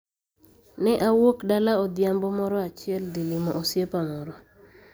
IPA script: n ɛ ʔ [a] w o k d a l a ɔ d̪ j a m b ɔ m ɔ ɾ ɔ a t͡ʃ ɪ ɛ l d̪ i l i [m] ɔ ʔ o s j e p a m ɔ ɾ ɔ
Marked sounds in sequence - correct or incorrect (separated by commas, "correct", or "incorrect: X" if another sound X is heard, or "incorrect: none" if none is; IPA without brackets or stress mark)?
correct, correct